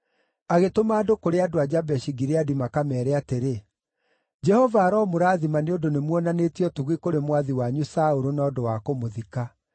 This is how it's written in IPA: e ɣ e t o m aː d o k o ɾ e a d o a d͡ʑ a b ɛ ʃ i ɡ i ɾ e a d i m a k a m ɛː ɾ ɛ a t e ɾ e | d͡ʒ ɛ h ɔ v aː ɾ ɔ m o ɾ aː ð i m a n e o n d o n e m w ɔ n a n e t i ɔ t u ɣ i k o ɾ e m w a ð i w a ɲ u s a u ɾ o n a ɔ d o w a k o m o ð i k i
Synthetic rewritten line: a ɣ e t o m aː d o k o ɾ e a d o a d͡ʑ a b ɛ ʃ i ɡ i ɾ e a d i m a k a m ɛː ɾ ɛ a t e ɾ e | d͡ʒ ɛ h ɔ v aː ɾ ɔ m o ɾ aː ð i m a n e o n d o n e m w ɔ n a n e t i ɔ t u ɣ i k o ɾ e m w a ð i w a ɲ u s a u ɾ o n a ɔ d o w a k o m o ð i k a